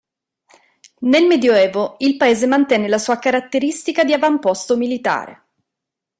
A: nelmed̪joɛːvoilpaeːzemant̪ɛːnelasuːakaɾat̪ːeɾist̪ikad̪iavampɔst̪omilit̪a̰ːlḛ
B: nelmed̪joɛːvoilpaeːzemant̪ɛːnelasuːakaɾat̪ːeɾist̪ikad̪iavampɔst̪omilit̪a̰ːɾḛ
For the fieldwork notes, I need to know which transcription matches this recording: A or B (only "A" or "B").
B